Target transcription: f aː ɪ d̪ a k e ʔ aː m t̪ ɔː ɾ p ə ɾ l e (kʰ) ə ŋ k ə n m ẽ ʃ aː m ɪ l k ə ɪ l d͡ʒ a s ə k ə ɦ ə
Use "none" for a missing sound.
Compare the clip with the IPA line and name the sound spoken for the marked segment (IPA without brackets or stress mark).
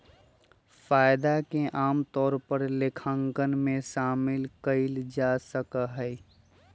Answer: kʰ